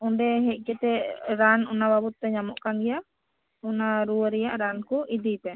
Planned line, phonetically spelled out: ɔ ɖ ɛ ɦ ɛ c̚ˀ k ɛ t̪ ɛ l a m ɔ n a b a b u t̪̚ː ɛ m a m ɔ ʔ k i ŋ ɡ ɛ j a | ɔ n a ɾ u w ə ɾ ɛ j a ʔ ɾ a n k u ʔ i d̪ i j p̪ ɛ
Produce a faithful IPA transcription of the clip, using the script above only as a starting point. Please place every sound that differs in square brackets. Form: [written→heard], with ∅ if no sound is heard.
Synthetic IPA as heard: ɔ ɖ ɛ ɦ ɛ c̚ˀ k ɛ t̪ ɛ [l→ɾ] a [m→n] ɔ n a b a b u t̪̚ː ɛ [m→ɲ] a m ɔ ʔ k [i→a] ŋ ɡ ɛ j a | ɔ n a ɾ u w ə ɾ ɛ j a ʔ ɾ a n k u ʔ i d̪ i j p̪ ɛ